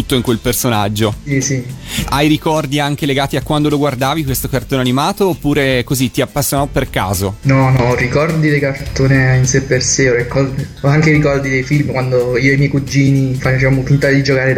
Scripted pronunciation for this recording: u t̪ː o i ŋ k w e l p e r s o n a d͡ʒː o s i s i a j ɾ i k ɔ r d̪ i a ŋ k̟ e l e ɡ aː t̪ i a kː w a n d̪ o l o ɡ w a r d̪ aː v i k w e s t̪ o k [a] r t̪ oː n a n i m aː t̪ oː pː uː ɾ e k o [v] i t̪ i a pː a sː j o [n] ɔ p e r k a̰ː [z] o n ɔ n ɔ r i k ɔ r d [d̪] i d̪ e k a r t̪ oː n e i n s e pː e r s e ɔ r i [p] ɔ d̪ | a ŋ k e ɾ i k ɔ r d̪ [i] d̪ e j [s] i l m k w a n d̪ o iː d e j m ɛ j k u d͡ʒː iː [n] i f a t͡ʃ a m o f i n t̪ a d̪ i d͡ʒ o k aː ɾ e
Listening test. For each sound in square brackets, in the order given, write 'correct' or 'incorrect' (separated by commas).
correct, incorrect, correct, correct, correct, incorrect, correct, incorrect, correct